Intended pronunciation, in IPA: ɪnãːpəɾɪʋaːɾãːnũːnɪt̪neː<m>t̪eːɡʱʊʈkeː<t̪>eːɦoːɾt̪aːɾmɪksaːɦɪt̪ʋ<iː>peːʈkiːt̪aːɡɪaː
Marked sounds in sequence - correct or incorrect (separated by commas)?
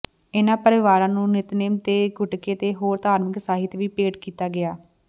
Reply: correct, correct, correct